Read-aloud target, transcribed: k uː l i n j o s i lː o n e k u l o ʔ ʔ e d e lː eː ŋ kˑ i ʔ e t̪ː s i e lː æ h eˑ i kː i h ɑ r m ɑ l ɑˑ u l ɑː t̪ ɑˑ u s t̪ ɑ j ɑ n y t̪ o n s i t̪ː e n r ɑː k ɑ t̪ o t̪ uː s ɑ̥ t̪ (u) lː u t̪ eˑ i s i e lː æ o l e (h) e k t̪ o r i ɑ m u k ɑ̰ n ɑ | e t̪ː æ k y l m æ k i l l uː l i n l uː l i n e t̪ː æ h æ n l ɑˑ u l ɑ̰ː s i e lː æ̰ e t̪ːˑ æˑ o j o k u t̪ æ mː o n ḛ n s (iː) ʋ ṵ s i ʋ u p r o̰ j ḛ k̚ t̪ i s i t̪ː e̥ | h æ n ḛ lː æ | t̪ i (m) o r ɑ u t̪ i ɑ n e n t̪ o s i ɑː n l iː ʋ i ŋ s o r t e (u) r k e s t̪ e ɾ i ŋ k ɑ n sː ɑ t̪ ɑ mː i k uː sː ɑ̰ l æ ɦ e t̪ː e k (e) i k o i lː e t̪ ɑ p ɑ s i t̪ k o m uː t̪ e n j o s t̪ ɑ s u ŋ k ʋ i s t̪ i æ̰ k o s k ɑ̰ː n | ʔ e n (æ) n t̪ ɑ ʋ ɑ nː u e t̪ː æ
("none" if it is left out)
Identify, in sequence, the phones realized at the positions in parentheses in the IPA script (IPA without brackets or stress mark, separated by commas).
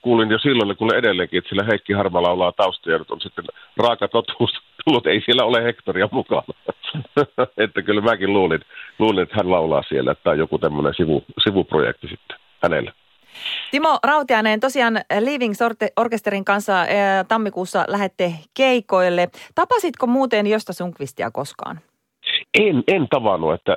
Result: u, h, i, m, o, e, e